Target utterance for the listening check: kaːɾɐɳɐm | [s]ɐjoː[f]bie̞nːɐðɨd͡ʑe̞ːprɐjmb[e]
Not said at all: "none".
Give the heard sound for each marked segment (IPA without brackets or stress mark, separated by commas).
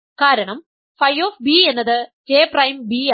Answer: f, f, i